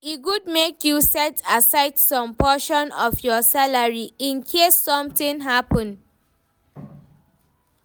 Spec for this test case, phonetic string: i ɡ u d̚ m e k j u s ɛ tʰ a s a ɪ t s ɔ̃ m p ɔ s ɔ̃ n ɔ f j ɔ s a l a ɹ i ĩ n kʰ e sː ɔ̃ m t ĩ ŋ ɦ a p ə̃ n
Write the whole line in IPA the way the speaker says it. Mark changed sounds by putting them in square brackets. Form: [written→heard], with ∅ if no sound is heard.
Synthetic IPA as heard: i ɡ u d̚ m e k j u s ɛ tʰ a s a ɪ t s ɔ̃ m p ɔ [s→ʃ] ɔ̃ n ɔ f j ɔ s a l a ɹ i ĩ n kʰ e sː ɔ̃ m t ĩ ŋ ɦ a p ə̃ n